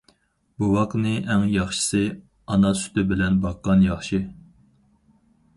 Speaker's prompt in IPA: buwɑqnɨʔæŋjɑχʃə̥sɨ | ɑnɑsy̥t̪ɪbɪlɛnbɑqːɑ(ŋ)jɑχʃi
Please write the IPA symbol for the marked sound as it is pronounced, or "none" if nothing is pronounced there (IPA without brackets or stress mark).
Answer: n